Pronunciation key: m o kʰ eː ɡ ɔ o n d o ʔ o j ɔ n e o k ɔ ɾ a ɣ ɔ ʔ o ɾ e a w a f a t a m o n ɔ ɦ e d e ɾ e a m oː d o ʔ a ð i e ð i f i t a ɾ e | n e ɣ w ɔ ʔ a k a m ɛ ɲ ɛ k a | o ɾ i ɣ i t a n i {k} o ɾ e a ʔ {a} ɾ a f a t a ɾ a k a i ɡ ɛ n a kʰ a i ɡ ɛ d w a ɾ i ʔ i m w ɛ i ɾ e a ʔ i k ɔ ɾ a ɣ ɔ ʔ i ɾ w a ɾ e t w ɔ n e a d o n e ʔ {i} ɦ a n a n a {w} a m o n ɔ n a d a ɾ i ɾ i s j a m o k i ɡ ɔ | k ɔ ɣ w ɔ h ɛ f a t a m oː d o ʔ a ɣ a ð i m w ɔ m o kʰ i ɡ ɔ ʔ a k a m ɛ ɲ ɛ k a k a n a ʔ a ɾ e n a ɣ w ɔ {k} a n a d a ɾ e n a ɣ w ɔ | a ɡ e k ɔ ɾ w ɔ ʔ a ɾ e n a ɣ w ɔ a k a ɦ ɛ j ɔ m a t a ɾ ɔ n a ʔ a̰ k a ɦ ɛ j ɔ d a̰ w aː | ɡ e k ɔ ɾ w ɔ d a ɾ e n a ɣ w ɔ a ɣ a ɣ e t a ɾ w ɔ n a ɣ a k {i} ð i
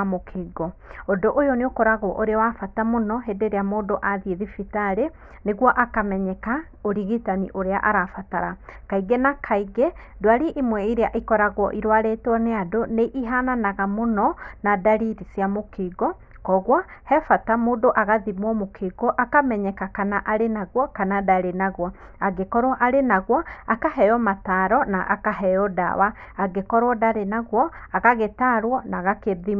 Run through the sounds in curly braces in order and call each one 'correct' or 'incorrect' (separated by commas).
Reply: incorrect, correct, correct, incorrect, correct, incorrect